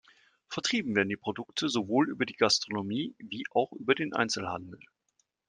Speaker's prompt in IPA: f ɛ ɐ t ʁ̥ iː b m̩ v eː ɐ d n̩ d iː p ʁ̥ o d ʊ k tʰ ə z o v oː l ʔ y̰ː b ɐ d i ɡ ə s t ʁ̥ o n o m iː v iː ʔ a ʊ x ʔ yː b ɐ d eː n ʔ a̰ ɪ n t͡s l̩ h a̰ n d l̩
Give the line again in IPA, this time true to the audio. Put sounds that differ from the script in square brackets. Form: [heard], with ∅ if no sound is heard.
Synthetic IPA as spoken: f ɛ ɐ t ʁ̥ iː b m̩ v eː ɐ d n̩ d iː p ʁ̥ o d ʊ k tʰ ə z o v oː l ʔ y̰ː b ɐ d [iː] ɡ [a] s t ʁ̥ o n o m iː v iː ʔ a ʊ x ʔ yː b ɐ d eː n ʔ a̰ ɪ n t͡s l̩ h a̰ n d l̩